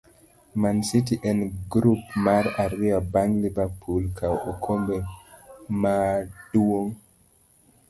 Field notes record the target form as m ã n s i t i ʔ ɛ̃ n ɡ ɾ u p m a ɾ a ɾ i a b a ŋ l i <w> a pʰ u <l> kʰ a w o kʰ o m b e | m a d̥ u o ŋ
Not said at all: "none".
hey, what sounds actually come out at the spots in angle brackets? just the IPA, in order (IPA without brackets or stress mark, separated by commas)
v, l